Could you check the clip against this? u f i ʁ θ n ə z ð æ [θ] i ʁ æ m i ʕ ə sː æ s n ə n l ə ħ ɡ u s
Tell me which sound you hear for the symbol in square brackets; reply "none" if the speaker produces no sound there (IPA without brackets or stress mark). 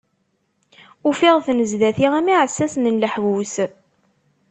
θ